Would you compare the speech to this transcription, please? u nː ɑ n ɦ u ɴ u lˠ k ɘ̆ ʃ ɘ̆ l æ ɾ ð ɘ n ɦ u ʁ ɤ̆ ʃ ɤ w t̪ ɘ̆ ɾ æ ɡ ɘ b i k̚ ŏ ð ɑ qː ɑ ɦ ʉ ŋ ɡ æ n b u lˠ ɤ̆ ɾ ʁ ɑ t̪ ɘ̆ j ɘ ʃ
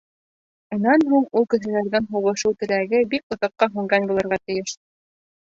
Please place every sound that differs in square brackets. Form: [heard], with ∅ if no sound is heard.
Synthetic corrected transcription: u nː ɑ n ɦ u ɴ u lˠ k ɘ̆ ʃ ɘ̆ l æ ɾ ð ɘ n ɦ u ʁ ɤ̆ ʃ ɤ w t̪ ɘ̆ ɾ æ ɡ ɘ b i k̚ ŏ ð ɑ qː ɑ ɦ ʉ ŋ ɡ æ n b u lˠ ɤ̆ ɾ ʁ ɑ t̪ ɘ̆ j ɘ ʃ